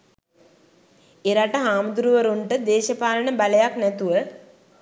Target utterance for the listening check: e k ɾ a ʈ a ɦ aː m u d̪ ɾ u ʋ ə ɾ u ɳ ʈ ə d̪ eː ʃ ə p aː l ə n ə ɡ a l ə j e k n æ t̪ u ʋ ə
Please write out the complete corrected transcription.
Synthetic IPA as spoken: e ɾ a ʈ ə ɦ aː m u d̪ ɾ u ʋ ə ɾ u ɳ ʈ ə d̪ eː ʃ ə p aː l ə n ə b a l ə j a k n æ t̪ u ʋ ə